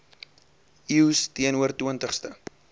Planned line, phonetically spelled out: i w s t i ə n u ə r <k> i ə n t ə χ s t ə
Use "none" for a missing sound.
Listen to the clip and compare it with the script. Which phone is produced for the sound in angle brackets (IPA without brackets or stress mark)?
t